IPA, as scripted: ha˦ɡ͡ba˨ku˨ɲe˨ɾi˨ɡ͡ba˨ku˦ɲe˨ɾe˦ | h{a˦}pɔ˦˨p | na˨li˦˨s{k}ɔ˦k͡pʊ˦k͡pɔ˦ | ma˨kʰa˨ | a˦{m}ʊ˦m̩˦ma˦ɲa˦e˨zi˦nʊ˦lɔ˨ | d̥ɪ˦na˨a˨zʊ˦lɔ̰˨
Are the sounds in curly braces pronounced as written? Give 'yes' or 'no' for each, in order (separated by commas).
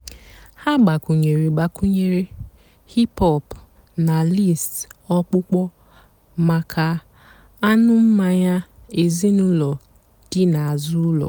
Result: no, no, no